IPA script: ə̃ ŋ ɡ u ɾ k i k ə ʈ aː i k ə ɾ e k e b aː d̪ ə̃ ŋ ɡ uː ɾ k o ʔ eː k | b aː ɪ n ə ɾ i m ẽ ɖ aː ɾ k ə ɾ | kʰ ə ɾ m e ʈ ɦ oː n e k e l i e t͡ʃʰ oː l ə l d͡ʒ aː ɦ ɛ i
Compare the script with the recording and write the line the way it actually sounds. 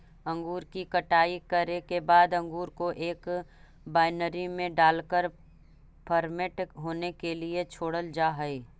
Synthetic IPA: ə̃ ŋ ɡ uː ɾ k i k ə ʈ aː i k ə ɾ e k e b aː d̪ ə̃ ŋ ɡ uː ɾ k o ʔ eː k | b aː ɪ n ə ɾ i m ẽ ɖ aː l k ə ɾ | pʰ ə ɾ m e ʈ ɦ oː n e k e l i e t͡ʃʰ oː ɽ ə l d͡ʒ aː ɦ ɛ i